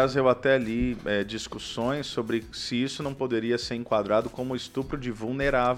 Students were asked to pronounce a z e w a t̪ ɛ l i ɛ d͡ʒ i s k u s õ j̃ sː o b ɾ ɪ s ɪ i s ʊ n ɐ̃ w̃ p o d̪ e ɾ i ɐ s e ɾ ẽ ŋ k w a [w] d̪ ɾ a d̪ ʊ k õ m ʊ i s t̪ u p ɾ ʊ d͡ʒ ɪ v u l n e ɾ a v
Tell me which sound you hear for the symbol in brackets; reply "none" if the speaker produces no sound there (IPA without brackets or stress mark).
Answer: none